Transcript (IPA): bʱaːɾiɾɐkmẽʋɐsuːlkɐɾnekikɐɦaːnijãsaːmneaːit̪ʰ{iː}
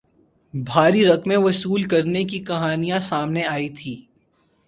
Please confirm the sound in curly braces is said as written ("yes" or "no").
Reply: yes